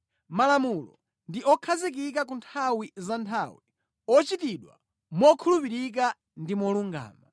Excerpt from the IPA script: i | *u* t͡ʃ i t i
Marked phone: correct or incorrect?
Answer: incorrect